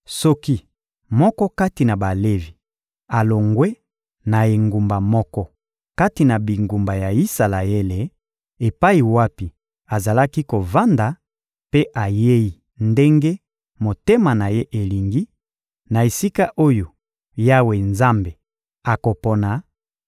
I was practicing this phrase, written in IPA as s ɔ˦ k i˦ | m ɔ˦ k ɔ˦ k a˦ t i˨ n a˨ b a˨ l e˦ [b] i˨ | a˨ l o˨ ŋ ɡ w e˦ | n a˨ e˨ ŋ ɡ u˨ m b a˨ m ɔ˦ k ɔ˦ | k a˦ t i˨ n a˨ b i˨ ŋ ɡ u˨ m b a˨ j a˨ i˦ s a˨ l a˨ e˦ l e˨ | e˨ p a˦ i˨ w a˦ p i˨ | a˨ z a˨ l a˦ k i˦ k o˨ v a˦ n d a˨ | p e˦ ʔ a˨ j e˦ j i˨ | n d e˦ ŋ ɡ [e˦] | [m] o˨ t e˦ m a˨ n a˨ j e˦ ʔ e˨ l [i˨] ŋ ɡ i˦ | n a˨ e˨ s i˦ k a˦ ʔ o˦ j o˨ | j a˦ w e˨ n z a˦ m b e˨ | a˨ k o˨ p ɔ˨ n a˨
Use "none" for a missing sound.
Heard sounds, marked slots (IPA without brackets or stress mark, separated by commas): v, e˦, m, i˨